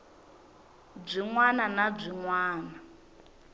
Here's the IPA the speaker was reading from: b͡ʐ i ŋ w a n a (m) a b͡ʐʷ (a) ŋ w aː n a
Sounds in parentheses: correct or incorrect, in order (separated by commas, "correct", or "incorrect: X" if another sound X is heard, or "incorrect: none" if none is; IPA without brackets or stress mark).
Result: incorrect: n, incorrect: i